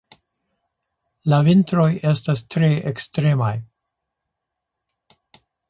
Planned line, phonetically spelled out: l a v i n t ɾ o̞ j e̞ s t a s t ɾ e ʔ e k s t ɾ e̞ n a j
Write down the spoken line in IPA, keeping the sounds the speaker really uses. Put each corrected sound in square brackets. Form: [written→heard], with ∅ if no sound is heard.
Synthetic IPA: l a v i n t ɾ o̞ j e̞ s t a s t ɾ e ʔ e k s t ɾ e̞ [n→m] a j